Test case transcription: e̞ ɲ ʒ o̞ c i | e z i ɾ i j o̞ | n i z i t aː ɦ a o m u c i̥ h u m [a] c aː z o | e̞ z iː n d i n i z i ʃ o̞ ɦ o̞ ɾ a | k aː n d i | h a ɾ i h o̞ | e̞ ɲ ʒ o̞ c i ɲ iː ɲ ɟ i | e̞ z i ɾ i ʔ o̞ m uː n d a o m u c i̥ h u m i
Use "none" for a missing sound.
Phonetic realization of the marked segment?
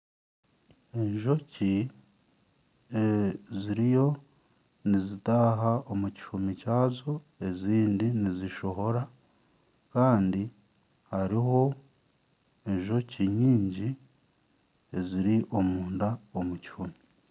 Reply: i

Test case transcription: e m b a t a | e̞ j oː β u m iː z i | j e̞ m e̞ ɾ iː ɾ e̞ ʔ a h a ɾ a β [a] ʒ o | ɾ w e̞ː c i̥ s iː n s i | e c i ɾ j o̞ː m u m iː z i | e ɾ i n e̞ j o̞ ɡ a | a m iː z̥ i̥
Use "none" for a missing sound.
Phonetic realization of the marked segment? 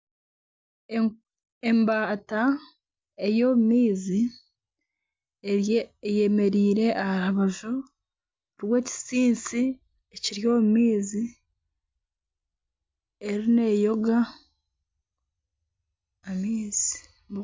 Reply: a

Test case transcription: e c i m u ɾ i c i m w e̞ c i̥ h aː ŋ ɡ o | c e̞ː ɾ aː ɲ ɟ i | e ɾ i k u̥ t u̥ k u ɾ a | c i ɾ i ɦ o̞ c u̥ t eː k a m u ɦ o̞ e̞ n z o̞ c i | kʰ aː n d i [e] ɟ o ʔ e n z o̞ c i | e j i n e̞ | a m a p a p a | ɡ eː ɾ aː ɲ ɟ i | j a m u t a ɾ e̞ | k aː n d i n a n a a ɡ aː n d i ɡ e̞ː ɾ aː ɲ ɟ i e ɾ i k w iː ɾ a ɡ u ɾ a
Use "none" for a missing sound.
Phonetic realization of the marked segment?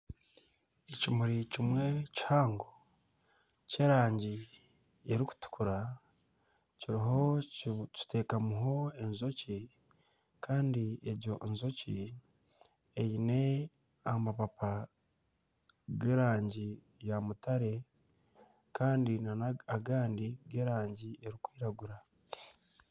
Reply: e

